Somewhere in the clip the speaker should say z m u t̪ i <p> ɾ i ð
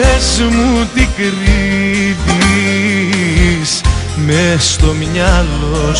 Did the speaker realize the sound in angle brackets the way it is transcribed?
no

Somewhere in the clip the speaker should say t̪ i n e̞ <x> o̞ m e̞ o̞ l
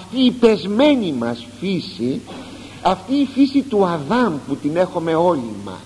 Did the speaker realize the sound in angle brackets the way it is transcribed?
yes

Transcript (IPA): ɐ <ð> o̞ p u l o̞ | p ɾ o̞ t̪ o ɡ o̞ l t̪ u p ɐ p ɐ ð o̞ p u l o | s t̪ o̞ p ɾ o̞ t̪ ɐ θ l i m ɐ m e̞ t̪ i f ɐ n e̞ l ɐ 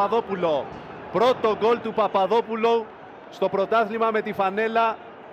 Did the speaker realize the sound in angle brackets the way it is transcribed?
yes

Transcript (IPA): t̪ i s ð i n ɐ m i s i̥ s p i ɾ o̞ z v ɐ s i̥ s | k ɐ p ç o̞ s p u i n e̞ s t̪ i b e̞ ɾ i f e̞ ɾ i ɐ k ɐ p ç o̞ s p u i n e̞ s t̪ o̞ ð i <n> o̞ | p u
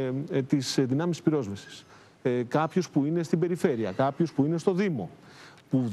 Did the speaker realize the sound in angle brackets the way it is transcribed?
no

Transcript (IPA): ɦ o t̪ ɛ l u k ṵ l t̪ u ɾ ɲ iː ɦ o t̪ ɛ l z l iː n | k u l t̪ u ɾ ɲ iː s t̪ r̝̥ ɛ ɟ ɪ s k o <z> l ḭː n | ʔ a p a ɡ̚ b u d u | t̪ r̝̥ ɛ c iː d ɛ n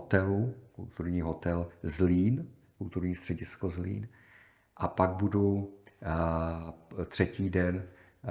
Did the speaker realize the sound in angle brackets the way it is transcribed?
yes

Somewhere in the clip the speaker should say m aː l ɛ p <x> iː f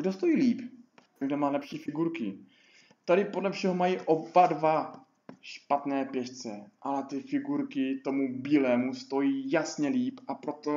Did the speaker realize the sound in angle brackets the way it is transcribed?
no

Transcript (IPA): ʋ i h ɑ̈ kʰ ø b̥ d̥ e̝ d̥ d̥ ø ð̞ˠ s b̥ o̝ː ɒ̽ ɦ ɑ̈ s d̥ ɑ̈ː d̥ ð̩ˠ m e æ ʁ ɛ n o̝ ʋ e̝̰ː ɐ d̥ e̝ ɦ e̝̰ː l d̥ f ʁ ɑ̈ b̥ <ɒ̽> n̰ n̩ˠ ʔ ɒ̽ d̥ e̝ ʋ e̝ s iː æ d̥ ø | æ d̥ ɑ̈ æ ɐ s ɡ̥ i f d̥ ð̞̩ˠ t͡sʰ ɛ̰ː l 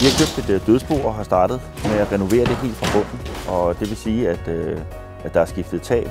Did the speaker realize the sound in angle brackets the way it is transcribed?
no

